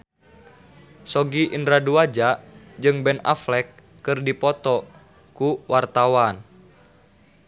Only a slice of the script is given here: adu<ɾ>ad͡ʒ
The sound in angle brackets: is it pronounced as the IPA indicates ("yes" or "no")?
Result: no